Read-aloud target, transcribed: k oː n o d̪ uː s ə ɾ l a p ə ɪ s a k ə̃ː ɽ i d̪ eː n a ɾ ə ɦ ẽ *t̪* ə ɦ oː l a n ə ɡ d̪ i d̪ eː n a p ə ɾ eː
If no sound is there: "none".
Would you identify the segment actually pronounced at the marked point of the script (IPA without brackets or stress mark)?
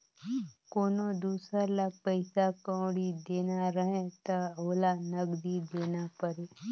t̪